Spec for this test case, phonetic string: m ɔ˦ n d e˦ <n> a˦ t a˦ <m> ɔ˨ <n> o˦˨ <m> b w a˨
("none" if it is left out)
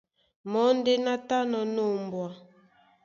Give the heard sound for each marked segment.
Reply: n, n, n, m

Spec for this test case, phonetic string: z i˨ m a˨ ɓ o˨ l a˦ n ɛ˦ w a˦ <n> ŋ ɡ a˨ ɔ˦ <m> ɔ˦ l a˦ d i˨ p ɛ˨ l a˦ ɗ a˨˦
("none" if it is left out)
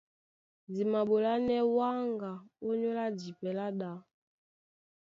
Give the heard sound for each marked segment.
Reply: none, ɲ

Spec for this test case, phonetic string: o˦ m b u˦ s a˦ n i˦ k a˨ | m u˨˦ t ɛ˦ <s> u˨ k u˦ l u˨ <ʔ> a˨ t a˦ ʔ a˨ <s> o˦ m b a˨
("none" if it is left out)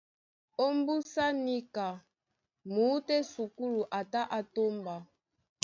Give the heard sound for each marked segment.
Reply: s, ʔ, t

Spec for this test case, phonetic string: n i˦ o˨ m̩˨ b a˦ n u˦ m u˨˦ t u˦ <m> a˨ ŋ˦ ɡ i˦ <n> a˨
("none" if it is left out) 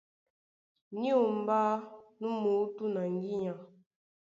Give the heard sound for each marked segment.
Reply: n, ɲ

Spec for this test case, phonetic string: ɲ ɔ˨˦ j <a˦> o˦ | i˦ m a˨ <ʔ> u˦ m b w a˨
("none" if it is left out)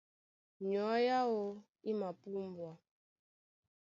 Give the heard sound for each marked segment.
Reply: a˦, p

